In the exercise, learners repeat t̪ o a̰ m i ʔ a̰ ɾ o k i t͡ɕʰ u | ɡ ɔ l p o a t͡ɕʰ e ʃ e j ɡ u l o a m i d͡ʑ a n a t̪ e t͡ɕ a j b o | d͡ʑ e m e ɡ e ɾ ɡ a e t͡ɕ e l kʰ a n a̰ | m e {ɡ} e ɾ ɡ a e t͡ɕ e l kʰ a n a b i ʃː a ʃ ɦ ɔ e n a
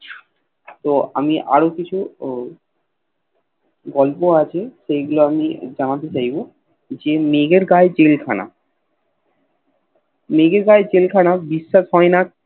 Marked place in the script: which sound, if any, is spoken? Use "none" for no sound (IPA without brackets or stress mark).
ɡ